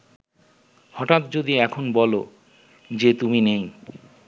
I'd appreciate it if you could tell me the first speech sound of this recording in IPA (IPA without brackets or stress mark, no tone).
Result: h